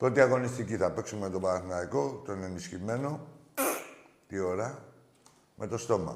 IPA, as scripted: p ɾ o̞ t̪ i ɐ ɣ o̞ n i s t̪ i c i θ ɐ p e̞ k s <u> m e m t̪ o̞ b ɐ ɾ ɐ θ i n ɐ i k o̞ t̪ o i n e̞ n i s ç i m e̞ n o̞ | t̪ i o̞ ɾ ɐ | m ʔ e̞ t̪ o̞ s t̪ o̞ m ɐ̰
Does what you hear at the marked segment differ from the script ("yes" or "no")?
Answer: no